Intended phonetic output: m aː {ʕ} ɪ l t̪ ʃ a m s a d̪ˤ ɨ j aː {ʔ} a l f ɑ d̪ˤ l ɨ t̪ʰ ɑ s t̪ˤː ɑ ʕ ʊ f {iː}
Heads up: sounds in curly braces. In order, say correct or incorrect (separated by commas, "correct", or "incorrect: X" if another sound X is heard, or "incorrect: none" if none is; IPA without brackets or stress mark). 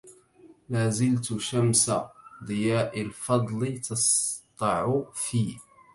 incorrect: z, correct, correct